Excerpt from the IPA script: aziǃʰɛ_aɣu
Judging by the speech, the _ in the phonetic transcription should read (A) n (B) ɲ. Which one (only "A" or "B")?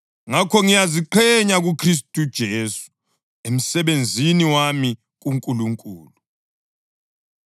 B